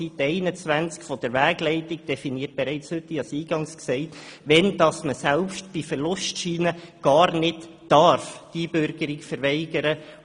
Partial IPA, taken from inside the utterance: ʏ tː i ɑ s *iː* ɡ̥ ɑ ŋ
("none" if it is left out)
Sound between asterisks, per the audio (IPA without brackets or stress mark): iː